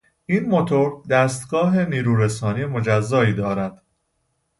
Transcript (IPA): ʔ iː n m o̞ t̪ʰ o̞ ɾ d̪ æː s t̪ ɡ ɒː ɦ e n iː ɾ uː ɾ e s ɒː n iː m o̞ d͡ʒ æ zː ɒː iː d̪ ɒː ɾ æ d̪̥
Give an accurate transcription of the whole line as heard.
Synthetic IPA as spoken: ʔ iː n m o̞ t̪ʰ o̞ ɾ d̪ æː s t̪ ɡ ɒː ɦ e n iː ɾ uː ɾ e s ɒː n iː m o̞ d͡ʒ æ zː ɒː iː d̪ ɒː ɾ æ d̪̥